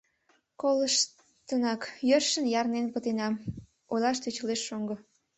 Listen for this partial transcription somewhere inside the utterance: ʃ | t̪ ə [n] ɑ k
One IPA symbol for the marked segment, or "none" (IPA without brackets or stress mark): n